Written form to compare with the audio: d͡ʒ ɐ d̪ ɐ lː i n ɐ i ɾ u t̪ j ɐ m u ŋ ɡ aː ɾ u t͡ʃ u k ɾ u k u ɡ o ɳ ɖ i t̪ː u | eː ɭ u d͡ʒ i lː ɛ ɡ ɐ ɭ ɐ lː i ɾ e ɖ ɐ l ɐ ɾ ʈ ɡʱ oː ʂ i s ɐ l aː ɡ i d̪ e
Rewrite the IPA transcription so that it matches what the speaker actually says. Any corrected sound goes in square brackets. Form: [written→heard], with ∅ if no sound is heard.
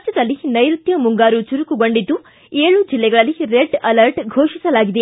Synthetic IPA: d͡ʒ ɐ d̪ ɐ lː i n ɐ [i→j] ɾ u t̪ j ɐ m u ŋ ɡ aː ɾ u t͡ʃ u [k→∅] ɾ u k u ɡ o ɳ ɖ i [t̪ː→d̪ː] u | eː ɭ u d͡ʒ i lː ɛ ɡ ɐ ɭ ɐ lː i ɾ e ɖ ɐ l ɐ ɾ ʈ ɡʱ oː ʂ i s ɐ l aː ɡ i d̪ e